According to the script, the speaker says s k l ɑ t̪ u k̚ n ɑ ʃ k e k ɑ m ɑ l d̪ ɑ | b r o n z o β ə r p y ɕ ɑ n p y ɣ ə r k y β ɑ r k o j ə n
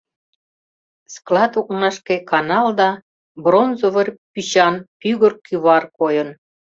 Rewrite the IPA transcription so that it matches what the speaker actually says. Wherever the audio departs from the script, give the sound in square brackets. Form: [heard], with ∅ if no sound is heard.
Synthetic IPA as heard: s k l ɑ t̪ u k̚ n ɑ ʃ k e k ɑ [n] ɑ l d̪ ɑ | b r o n z o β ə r p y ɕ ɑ n p y ɣ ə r k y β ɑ r k o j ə n